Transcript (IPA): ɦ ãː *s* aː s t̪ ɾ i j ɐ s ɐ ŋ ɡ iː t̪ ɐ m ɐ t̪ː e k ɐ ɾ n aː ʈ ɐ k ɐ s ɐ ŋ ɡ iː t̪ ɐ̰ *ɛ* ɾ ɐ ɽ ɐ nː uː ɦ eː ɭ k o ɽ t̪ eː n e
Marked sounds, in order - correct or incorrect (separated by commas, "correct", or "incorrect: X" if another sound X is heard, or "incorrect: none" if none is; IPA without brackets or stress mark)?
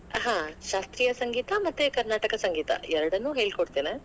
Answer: incorrect: ʃ, correct